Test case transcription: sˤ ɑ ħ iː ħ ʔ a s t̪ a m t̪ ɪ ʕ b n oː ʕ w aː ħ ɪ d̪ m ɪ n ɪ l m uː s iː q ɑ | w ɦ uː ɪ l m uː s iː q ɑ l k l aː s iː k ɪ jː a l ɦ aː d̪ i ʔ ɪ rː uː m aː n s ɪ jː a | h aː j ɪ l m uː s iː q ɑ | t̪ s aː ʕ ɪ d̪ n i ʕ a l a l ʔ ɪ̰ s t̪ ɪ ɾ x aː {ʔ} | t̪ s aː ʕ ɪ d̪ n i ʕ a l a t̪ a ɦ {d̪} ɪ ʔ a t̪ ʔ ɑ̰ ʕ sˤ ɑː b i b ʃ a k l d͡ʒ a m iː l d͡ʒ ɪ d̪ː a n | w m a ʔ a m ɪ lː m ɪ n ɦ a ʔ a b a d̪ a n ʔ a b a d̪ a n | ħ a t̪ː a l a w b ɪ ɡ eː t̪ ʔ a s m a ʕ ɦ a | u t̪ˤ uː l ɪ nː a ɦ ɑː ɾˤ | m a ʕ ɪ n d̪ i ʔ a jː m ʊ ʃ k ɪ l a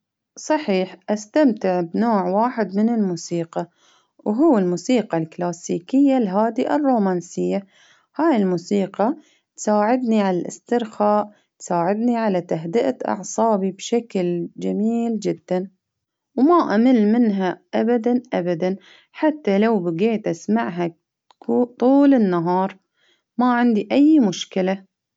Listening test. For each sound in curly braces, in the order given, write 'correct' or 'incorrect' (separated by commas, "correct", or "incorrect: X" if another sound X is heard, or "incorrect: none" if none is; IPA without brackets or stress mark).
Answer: correct, correct